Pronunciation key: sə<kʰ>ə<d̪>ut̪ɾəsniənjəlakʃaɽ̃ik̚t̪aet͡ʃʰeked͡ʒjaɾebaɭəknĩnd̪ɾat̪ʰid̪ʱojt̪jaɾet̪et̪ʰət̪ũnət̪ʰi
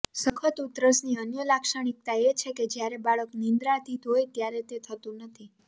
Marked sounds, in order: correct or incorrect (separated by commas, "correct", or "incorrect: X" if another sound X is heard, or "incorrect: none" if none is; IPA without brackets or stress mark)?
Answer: correct, incorrect: t̪